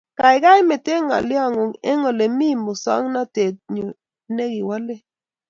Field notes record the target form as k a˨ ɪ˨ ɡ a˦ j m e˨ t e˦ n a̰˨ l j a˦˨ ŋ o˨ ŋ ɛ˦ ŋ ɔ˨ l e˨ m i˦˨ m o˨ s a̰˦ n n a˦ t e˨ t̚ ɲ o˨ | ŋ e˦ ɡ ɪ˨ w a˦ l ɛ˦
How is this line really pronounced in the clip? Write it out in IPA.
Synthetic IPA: k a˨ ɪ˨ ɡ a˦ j m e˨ t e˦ ŋ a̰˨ l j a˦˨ ŋ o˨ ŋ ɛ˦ ŋ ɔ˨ l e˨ m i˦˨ m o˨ s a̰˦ ŋ n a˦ t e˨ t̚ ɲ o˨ | n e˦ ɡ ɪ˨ w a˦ l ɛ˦